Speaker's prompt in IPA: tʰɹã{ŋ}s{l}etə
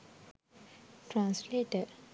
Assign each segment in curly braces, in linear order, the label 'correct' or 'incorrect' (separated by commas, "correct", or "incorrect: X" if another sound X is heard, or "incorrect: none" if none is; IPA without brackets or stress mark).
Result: incorrect: n, correct